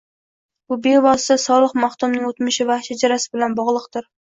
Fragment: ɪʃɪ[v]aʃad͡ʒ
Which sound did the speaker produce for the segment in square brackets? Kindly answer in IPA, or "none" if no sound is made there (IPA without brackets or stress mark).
v